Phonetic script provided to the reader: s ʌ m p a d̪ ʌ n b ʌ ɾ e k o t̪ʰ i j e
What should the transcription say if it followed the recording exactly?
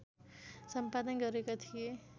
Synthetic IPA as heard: s ʌ m p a d̪ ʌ n ɡ ʌ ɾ e k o t̪ʰ i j e